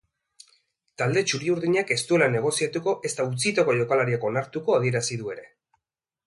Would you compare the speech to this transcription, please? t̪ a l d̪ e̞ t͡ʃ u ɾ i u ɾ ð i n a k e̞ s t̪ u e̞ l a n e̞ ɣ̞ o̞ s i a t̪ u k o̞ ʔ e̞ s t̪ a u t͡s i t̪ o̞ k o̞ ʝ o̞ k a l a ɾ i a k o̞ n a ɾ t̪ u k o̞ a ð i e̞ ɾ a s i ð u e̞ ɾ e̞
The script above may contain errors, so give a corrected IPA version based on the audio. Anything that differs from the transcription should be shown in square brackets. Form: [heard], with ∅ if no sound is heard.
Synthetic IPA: t̪ a l d̪ e̞ t͡ʃ u ɾ i u ɾ ð i [ɲ] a k e̞ s t̪ u e̞ l a n e̞ ɣ̞ o̞ s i a t̪ u k o̞ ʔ e̞ s t̪ a u t͡s i t̪ o̞ k o̞ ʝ o̞ k a l a ɾ i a k o̞ n a ɾ t̪ u k o̞ a ð i e̞ ɾ a s i ð u e̞ ɾ e̞